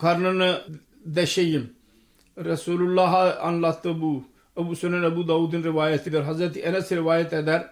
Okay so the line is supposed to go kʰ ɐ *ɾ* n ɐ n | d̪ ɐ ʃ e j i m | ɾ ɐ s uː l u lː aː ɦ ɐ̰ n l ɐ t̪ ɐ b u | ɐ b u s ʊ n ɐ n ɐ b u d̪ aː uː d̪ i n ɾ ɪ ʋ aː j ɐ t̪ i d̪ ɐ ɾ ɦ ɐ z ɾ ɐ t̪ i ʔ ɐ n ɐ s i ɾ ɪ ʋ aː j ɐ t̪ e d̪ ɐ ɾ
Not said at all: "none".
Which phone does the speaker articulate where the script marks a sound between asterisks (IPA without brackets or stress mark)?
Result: ɾ